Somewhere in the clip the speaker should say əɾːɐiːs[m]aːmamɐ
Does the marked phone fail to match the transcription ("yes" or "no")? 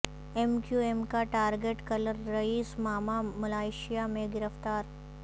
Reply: no